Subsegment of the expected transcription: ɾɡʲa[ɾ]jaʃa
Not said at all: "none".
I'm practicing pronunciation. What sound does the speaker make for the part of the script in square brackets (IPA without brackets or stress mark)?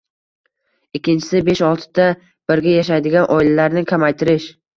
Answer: none